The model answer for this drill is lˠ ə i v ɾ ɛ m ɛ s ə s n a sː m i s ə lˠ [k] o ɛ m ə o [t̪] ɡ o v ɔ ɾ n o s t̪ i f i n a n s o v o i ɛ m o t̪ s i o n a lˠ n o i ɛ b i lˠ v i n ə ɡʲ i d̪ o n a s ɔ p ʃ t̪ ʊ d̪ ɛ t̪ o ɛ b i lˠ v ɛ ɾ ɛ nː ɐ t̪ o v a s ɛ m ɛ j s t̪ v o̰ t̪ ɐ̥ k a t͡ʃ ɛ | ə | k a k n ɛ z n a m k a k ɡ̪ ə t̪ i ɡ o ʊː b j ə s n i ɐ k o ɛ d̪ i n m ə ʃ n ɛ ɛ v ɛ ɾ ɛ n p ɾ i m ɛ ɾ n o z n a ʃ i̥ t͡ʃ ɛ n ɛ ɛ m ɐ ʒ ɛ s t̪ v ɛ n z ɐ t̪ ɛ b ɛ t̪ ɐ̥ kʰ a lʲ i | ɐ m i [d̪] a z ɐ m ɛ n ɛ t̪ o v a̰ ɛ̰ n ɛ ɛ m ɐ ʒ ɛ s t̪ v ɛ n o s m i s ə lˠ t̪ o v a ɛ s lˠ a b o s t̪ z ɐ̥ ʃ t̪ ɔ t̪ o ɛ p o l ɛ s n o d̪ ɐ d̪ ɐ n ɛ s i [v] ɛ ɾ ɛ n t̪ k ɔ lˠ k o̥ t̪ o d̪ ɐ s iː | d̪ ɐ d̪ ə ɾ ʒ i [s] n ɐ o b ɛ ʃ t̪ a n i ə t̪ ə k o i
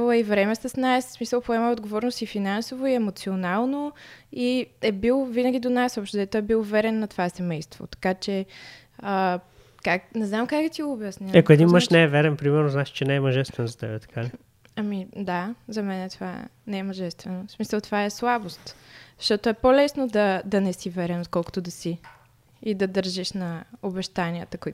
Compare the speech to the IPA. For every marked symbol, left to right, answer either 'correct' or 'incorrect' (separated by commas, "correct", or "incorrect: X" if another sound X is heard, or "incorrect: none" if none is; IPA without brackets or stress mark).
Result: incorrect: p, incorrect: d̪, correct, correct, incorrect: ʃ